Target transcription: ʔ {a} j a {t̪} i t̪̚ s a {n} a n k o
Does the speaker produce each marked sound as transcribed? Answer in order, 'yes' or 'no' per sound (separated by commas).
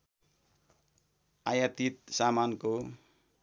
yes, yes, no